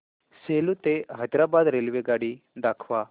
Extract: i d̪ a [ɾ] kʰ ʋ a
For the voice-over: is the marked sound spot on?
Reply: no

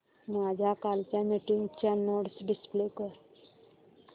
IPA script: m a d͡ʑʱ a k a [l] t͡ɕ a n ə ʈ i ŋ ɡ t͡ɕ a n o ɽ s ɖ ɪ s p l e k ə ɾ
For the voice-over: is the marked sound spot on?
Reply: yes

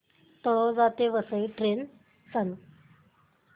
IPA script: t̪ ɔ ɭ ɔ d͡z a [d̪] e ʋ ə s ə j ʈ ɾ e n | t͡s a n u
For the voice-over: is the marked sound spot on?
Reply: no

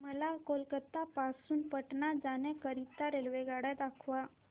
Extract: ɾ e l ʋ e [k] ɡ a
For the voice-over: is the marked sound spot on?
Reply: no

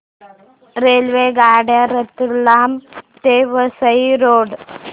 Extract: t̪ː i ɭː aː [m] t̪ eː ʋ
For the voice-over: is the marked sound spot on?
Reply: yes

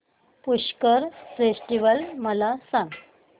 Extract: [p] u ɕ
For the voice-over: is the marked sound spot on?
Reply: yes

